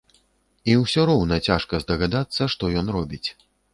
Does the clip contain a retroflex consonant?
yes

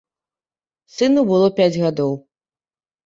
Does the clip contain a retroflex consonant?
no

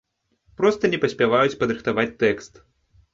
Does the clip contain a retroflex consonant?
no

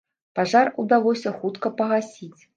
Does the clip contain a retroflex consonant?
yes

